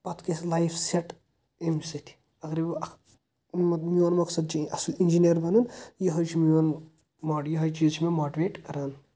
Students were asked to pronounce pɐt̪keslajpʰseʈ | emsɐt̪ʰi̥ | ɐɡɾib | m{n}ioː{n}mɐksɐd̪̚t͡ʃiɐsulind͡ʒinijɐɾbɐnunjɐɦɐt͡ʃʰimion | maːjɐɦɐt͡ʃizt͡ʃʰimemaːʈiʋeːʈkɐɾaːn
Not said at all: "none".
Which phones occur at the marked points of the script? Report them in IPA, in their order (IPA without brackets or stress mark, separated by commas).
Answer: m, n